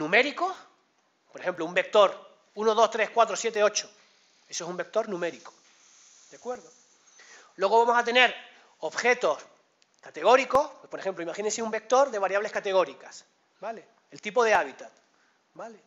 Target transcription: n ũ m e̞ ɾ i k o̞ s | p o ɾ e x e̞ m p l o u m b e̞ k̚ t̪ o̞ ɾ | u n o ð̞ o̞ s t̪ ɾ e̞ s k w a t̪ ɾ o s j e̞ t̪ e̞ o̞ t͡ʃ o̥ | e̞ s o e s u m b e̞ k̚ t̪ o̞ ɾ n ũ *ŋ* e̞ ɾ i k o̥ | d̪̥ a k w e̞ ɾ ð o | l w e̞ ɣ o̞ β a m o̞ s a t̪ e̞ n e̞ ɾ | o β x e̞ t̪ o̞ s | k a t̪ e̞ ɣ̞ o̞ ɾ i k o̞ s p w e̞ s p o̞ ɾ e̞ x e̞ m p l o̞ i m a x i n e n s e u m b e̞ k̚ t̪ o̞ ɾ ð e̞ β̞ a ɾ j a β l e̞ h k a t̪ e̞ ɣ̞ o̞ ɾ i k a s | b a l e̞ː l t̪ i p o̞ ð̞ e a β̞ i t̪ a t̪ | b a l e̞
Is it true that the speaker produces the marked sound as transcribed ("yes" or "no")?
no